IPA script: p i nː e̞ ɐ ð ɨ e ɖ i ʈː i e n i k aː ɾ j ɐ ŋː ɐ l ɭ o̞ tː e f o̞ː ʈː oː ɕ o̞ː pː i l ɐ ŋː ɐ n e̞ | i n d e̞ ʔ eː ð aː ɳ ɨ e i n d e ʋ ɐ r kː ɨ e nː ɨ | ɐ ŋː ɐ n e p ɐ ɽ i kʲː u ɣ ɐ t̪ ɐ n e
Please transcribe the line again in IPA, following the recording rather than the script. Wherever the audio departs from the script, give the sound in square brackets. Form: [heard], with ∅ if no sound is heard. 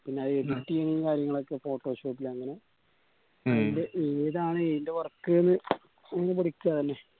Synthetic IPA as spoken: p i nː e̞ ɐ ð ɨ e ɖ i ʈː i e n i k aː ɾ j ɐ ŋː ɐ [∅] ɭ o̞ [kː] e f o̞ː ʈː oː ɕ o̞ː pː i l ɐ ŋː ɐ n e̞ | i n d e̞ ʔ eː ð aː ɳ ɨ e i n d e ʋ ɐ r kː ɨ e nː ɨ | ɐ ŋː ɐ n e p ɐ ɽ i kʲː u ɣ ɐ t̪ ɐ [nː] e